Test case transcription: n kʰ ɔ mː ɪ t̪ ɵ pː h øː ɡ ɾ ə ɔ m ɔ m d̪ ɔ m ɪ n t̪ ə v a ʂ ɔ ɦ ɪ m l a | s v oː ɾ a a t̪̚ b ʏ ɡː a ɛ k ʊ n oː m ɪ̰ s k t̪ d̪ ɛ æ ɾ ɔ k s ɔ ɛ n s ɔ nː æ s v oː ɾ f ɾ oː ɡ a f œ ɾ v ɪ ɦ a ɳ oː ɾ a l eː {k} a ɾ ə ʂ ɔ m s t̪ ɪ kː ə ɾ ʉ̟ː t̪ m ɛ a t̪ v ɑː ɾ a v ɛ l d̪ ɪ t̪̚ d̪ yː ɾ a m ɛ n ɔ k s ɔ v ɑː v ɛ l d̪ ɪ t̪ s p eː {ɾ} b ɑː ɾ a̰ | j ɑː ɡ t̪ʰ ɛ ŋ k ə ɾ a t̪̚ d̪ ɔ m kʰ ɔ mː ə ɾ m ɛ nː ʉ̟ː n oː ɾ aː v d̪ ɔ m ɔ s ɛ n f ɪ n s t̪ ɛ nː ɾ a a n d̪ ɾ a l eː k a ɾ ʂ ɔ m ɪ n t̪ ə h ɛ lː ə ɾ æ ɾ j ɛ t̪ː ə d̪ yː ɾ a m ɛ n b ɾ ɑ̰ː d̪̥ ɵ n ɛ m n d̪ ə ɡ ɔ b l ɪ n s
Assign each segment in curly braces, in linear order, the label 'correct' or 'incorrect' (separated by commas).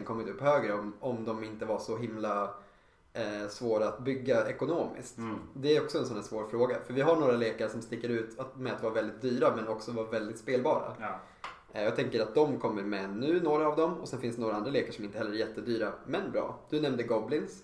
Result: correct, incorrect